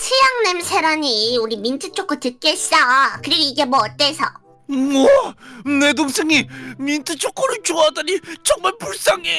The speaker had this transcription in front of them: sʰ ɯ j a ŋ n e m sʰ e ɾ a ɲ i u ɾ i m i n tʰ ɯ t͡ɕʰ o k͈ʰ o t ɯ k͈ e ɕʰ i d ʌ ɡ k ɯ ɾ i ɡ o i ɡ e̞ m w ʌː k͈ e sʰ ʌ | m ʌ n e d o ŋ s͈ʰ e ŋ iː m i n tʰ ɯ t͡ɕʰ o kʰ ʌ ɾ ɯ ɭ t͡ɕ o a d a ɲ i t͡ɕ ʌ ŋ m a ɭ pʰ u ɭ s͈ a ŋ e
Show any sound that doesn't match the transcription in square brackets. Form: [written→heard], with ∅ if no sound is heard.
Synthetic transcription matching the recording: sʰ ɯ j a ŋ n e m sʰ e ɾ a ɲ i u ɾ i m i n tʰ ɯ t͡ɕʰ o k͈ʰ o t ɯ k͈ e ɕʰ i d [ʌ→a] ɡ k ɯ ɾ i ɡ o i ɡ e̞ m w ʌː [k͈→t͈] e sʰ ʌ | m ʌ n e d o ŋ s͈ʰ e ŋ [iː→i] m i n tʰ ɯ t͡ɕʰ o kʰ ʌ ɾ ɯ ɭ t͡ɕ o a d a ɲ i t͡ɕ ʌ ŋ m a ɭ [pʰ→p] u ɭ s͈ a ŋ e